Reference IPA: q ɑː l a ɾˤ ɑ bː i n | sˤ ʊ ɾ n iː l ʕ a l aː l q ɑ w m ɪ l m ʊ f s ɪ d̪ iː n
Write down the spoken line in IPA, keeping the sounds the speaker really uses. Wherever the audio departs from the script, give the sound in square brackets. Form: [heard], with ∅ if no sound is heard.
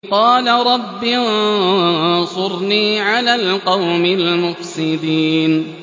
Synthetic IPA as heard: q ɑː l a ɾˤ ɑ bː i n | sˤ ʊ ɾ n iː [∅] ʕ a l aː l q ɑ w m ɪ l m ʊ f s ɪ d̪ iː n